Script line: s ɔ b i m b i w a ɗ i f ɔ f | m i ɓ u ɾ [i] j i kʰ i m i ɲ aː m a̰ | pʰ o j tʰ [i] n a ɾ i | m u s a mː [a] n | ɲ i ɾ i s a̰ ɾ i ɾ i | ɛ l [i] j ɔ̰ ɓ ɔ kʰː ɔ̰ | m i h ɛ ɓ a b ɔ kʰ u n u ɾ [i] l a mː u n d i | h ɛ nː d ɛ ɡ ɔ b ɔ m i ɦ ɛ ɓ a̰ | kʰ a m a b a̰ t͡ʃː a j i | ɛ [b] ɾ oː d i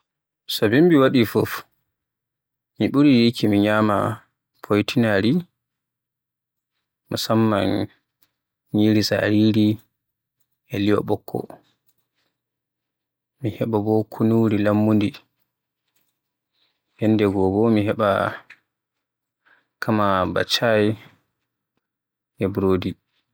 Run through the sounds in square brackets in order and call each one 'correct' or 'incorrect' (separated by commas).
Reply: correct, correct, correct, correct, correct, correct